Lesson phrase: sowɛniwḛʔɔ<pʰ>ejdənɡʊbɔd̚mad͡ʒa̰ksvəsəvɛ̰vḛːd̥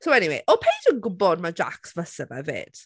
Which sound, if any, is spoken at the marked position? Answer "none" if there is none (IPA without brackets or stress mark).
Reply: pʰ